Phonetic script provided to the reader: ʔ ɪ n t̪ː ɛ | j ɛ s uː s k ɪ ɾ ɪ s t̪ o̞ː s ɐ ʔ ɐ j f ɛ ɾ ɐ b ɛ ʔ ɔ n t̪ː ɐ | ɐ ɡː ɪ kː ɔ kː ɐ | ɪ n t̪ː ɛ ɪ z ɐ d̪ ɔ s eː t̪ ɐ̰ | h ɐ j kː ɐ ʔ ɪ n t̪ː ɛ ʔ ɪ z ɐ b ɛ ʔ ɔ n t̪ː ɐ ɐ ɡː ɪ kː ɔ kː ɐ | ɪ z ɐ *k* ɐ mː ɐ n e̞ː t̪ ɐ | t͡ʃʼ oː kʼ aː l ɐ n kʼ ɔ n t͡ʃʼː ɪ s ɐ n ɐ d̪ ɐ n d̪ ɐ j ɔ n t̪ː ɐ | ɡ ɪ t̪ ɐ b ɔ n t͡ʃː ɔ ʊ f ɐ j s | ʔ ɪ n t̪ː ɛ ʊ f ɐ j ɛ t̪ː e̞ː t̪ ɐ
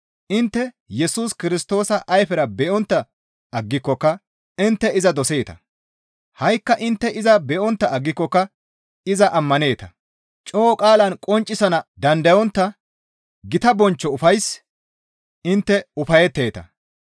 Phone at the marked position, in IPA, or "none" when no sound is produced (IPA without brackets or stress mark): ʔ